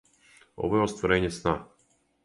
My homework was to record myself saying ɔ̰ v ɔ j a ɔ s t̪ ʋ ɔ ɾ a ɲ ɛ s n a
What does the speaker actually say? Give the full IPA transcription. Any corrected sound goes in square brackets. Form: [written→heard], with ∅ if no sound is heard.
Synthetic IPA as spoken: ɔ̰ v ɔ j [a→ɛ] ɔ s t̪ [ʋ→v] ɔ ɾ [a→ɛ] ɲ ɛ s n a